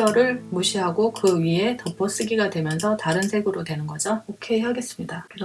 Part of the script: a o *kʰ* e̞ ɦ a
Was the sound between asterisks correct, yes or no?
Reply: yes